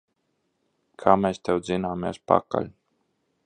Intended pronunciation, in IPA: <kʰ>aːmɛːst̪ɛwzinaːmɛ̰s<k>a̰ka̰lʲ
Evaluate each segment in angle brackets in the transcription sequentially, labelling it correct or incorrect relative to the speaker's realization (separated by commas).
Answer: correct, incorrect